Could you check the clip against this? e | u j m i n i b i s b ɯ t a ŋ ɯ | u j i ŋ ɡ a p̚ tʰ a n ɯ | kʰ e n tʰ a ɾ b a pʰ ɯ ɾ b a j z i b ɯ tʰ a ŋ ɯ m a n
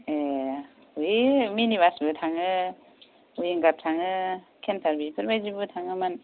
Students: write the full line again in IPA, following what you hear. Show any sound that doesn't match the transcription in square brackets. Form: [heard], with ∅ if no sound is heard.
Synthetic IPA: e | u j m i n i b [a] s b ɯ [tʰ] a ŋ ɯ | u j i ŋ ɡ a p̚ tʰ a [ŋ] ɯ | kʰ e n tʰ a ɾ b [i] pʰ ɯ ɾ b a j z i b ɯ tʰ a ŋ ɯ m a n